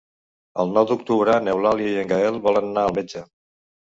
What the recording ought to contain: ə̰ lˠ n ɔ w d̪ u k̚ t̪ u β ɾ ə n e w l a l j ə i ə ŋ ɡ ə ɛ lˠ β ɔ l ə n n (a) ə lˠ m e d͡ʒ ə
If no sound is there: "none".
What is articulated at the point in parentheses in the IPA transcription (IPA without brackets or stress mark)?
a